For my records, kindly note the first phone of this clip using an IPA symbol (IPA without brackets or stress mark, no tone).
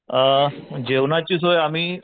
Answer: d͡ʑ